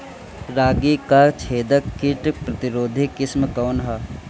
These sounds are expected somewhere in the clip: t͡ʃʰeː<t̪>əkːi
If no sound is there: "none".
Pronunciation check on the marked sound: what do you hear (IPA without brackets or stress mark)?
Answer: d̪